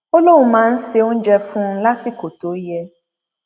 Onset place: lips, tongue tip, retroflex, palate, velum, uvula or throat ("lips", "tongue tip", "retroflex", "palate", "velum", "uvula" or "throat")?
tongue tip